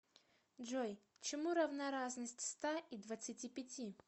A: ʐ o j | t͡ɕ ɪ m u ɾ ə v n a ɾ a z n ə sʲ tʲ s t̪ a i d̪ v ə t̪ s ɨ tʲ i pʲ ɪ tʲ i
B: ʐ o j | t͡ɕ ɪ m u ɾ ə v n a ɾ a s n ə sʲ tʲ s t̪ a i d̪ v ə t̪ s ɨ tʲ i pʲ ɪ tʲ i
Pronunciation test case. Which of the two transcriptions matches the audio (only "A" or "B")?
A